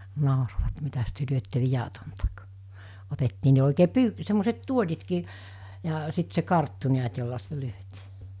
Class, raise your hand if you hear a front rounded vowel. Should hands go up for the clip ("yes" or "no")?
yes